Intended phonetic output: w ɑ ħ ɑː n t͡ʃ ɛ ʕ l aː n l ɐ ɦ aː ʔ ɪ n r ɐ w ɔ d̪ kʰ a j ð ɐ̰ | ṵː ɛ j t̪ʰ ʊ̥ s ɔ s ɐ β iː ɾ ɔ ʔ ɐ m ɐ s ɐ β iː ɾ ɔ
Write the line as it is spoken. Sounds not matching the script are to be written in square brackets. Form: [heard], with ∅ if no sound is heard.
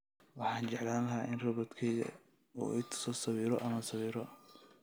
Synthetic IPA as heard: w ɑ ħ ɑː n t͡ʃ ɛ ʕ l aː n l ɐ ɦ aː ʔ ɪ n r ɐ [β] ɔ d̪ kʰ [ɛ] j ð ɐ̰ | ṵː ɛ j t̪ʰ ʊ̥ s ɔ s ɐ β iː ɾ ɔ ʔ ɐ m ɐ s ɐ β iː ɾ ɔ